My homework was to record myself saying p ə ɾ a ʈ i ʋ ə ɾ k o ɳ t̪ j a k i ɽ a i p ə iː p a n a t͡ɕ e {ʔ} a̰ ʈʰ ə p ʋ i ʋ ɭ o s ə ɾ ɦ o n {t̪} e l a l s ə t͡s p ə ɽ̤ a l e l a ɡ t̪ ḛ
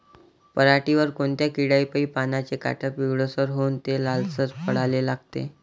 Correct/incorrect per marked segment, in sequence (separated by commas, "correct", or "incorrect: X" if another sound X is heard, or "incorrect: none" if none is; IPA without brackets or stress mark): incorrect: k, correct